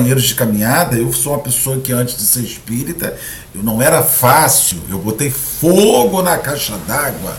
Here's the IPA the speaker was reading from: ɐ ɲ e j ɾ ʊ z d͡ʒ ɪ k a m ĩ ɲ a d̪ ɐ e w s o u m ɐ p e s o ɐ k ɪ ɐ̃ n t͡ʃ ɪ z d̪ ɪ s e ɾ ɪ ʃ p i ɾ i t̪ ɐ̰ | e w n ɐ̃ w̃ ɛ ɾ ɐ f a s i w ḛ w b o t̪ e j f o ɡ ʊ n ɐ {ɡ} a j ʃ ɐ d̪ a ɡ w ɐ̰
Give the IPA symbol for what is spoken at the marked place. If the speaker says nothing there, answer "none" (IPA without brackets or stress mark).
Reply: k